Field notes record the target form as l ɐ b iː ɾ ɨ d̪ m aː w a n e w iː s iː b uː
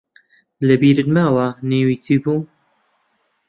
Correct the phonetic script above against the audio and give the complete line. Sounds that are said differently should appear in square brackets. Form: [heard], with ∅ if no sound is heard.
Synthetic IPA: l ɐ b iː ɾ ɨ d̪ m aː w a n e w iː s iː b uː